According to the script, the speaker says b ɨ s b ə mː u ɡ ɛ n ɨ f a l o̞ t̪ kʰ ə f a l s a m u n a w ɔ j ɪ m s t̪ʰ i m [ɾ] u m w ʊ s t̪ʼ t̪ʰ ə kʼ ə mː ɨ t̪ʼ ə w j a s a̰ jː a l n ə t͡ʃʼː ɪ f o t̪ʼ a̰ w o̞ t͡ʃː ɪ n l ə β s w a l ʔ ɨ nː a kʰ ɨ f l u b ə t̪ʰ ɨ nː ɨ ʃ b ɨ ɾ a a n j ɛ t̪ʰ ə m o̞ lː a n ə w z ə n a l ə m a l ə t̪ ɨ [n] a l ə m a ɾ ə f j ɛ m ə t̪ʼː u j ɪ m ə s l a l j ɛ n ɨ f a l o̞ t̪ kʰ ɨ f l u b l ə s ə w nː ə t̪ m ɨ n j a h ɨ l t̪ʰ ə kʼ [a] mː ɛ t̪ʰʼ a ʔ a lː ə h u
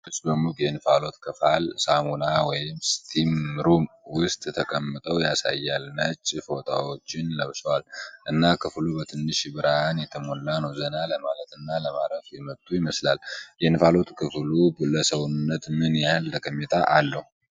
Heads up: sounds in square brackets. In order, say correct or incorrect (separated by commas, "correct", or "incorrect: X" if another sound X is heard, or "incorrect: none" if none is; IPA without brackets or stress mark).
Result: correct, incorrect: nː, incorrect: ə